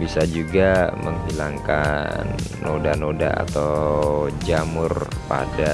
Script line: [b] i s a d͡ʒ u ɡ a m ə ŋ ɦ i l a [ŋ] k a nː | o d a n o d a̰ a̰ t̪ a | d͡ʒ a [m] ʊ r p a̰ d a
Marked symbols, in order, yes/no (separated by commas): yes, yes, yes